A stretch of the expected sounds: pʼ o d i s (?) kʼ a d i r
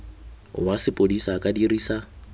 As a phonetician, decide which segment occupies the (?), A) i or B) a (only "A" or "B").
B